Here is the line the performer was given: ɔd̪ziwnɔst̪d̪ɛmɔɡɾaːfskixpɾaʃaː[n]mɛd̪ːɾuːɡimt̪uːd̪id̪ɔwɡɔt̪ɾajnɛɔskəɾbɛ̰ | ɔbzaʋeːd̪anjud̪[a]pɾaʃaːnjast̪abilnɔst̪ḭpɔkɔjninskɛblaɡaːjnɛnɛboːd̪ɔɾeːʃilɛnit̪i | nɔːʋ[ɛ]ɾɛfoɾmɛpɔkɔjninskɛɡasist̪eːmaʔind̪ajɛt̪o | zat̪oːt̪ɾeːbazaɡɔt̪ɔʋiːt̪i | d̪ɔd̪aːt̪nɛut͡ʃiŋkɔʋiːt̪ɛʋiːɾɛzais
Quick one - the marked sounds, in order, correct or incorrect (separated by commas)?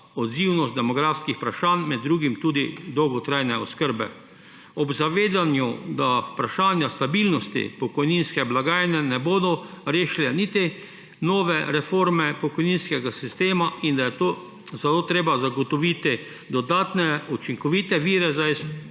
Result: correct, correct, correct